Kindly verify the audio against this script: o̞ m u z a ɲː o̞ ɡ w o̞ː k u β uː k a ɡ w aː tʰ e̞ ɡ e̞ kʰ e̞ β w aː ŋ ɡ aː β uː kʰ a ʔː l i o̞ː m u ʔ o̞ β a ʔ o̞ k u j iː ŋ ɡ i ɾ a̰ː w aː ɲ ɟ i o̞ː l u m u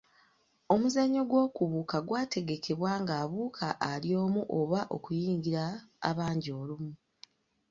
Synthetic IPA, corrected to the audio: o̞ m u z a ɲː o̞ ɡ w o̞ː k u β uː k a ɡ w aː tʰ e̞ ɡ e̞ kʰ e̞ β w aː ŋ ɡ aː β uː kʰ a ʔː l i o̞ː m u ʔ o̞ β a ʔ o̞ k u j iː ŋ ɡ i ɾ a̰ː β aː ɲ ɟ i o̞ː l u m u